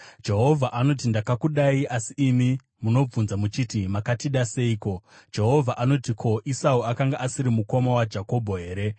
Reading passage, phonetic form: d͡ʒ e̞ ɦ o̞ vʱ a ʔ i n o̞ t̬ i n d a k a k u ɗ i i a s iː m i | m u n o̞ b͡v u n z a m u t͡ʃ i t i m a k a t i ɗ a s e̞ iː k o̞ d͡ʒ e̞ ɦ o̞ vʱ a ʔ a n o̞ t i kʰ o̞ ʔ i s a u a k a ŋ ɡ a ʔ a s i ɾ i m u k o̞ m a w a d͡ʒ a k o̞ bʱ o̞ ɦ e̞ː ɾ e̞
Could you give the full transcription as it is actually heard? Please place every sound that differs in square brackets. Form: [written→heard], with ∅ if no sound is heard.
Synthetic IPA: d͡ʒ e̞ ɦ o̞ vʱ a ʔ [i→a] n o̞ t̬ i n d a k a k u ɗ [i→a] i a s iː m i | m u n o̞ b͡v u n z a m u t͡ʃ i t i m a k a t i ɗ a s e̞ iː k o̞ d͡ʒ e̞ ɦ o̞ vʱ a ʔ a n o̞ t i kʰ o̞ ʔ i s a u a k a ŋ ɡ a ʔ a s i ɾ i m u k o̞ m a w a d͡ʒ a k o̞ bʱ o̞ ɦ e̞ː ɾ e̞

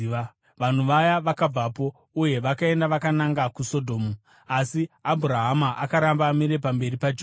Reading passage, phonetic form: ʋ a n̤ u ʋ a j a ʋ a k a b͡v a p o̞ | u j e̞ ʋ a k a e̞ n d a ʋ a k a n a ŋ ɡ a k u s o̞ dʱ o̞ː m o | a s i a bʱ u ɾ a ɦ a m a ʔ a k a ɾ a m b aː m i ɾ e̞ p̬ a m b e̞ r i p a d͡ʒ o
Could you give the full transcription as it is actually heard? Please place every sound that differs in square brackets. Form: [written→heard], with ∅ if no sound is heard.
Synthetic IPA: ʋ a n̤ u ʋ a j a ʋ a k a b͡v a p o̞ | u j e̞ ʋ a k a e̞ n d a ʋ a k a n a ŋ ɡ a k u s o̞ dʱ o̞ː m [o→u] | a s i a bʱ u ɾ a ɦ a m a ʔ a k a ɾ a m b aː m i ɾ e̞ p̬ a m b e̞ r i p a d͡ʒ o

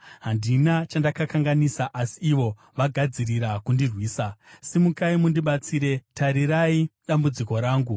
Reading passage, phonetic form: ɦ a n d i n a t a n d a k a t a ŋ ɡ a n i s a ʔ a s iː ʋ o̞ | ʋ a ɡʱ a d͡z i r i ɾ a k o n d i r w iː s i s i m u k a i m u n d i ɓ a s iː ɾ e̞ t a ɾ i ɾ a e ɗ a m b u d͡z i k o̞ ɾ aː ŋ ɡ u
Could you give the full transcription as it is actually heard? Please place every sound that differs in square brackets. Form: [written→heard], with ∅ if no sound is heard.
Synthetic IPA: ɦ a n d i n a [t→t͡ʃ] a n d a k a [t→k] a ŋ ɡ a n i s a ʔ a s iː ʋ o̞ | ʋ a ɡʱ a d͡z i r i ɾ a k [o→u] n d i r w iː s [i→a] s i m u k a i m u n d i ɓ a [s→t͡s] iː ɾ e̞ t a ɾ i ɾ a [e→i] ɗ a m b u d͡z i k o̞ ɾ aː ŋ ɡ u

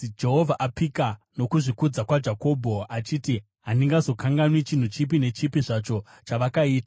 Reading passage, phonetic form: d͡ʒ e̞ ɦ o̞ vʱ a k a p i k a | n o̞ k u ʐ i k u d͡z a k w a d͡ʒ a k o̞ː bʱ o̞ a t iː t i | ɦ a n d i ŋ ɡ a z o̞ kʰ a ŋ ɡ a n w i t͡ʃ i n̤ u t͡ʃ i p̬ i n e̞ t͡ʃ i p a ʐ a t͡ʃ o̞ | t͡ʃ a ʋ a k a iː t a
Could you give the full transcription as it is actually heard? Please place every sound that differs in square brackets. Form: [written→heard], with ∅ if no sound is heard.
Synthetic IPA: d͡ʒ e̞ ɦ o̞ vʱ a [k→ʔ] a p i k a | n o̞ k u ʐ i k u d͡z a k w a d͡ʒ a k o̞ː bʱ o̞ a [t→t͡ʃ] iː t i | ɦ a n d i ŋ ɡ a z o̞ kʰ a ŋ ɡ a n w i t͡ʃ i n̤ u t͡ʃ i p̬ i n e̞ t͡ʃ i p [a→i] ʐ a t͡ʃ o̞ | t͡ʃ a ʋ a k a iː t a

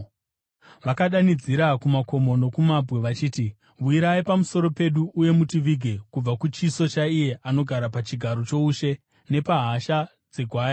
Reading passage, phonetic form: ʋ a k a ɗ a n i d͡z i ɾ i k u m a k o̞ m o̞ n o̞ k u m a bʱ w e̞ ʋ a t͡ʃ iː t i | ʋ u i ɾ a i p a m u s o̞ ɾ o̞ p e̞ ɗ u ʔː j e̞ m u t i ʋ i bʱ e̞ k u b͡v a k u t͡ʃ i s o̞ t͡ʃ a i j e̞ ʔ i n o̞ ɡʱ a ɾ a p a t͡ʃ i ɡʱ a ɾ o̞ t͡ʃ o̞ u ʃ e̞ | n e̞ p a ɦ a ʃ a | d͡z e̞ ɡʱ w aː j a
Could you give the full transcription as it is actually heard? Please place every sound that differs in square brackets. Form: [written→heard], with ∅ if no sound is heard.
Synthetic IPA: ʋ a k a ɗ a n i d͡z i ɾ [i→a] k u m a k o̞ m o̞ n o̞ k u m a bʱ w e̞ ʋ a t͡ʃ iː t i | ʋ u i ɾ a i p a m u s o̞ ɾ o̞ p e̞ ɗ u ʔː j e̞ m u t i ʋ i [bʱ→ɡʱ] e̞ k u b͡v a k u t͡ʃ i s o̞ t͡ʃ a i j e̞ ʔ [i→a] n o̞ ɡʱ a ɾ a p a t͡ʃ i ɡʱ a ɾ o̞ t͡ʃ o̞ u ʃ e̞ | n e̞ p a ɦ a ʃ a | d͡z e̞ ɡʱ w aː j a

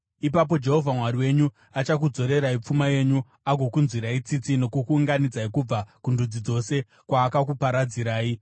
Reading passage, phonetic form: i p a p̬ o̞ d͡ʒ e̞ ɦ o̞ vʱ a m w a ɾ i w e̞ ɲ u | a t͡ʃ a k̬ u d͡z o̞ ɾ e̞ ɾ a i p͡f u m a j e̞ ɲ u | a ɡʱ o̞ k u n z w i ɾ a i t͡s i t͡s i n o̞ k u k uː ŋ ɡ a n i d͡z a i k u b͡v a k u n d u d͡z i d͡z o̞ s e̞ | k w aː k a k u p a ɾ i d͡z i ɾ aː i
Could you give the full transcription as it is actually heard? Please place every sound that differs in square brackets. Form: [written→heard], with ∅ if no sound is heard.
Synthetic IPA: i p a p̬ o̞ d͡ʒ e̞ ɦ o̞ vʱ a m w a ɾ i w e̞ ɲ u | a t͡ʃ a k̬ u d͡z o̞ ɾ e̞ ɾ a i p͡f u m a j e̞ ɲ u | a ɡʱ o̞ k u n z w i ɾ a i t͡s i t͡s i n o̞ k u k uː ŋ ɡ a n i d͡z a i k u b͡v a k u n d u d͡z i d͡z o̞ s e̞ | k w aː k a k u p a ɾ [i→a] d͡z i ɾ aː i

